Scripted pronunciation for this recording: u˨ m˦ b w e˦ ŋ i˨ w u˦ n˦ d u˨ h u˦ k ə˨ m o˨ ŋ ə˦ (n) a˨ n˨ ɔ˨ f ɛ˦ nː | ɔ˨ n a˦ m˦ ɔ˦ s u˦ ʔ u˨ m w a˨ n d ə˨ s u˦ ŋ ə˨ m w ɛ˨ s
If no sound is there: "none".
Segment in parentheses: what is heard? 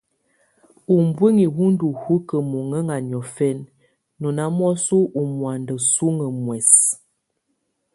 ŋ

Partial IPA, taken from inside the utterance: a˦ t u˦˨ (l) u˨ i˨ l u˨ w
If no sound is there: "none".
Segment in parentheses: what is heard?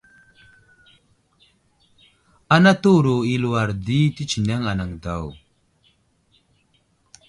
ɾ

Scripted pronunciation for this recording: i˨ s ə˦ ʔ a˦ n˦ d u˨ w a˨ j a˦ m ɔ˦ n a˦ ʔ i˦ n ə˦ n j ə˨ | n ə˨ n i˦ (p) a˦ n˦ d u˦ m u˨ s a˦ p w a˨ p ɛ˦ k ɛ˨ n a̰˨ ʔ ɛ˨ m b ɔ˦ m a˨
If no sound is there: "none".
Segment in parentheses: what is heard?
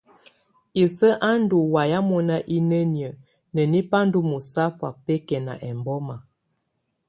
p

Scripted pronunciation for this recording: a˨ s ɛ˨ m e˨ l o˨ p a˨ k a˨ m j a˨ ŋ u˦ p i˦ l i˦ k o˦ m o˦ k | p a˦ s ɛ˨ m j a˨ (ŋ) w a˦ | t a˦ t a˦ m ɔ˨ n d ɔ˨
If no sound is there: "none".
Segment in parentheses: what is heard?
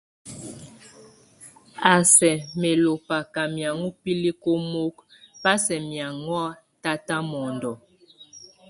ŋ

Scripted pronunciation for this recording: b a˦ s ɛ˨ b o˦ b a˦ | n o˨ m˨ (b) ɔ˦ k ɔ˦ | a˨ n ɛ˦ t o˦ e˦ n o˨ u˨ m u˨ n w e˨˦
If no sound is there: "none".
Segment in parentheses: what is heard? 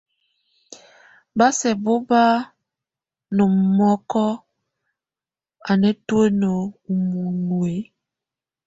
m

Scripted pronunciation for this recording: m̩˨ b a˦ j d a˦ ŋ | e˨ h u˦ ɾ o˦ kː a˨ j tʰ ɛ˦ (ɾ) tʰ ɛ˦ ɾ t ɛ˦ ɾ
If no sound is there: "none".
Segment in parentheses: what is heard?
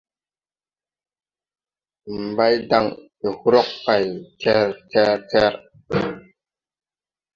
ɾ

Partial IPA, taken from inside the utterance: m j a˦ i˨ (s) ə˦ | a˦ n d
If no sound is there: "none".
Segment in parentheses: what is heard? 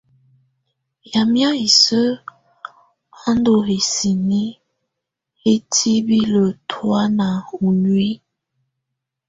s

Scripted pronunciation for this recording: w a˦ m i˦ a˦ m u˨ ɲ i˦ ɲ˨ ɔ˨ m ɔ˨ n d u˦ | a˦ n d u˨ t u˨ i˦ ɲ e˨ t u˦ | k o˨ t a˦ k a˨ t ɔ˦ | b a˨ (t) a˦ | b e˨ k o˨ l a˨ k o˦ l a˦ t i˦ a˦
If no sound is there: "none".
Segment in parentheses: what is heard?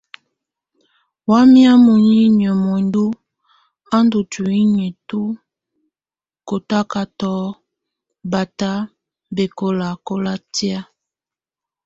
t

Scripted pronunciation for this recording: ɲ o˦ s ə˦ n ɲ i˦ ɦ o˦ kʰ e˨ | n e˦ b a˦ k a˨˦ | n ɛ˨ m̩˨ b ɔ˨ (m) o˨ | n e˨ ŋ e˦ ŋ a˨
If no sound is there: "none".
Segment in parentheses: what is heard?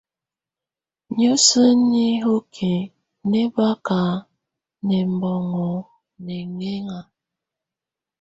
ŋ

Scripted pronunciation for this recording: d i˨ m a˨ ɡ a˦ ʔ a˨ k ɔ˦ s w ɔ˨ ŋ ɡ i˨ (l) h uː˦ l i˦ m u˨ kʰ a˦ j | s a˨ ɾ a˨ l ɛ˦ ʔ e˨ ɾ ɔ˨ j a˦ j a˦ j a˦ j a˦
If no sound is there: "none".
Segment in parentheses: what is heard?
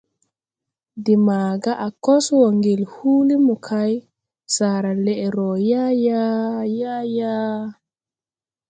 l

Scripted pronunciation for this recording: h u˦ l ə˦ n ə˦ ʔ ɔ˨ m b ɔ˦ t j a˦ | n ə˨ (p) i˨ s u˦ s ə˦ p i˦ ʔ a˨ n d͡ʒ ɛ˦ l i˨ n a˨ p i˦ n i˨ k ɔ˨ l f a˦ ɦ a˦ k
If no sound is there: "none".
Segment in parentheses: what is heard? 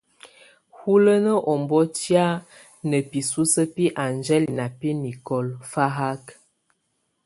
p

